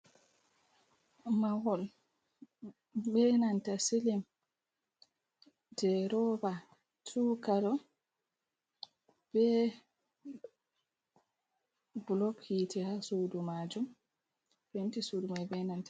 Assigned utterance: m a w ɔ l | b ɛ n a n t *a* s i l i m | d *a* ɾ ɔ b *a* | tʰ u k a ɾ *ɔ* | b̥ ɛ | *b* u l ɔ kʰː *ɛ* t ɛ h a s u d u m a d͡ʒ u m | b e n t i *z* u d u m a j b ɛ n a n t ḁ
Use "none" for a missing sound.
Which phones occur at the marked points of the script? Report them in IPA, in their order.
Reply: a, ɛ, a, ɔ, b, i, s

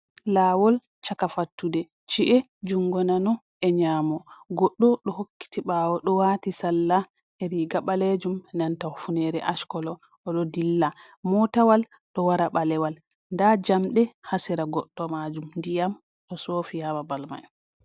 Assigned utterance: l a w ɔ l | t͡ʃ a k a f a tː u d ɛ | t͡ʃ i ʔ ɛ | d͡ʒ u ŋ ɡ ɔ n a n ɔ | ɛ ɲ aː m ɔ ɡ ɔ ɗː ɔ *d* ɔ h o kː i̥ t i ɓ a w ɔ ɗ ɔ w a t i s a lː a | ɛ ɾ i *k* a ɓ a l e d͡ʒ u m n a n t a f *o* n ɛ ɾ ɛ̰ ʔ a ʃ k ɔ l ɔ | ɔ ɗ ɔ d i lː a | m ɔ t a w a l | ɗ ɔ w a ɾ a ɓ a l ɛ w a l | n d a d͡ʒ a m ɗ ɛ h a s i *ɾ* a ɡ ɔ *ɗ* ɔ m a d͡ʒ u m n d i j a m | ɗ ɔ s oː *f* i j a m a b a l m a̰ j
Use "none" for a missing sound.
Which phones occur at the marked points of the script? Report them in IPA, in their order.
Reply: ɗ, ɡ, u, ɾ, ɗː, f

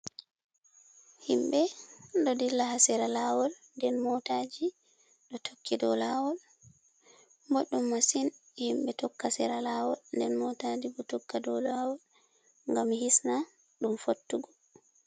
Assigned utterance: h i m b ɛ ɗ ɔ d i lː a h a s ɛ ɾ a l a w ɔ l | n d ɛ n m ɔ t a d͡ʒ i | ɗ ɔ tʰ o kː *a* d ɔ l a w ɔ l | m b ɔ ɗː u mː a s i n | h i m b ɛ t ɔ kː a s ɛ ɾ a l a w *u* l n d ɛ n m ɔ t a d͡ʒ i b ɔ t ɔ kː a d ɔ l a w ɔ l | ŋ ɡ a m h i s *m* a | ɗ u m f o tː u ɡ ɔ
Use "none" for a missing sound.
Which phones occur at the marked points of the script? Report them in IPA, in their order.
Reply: i, ɔ, n

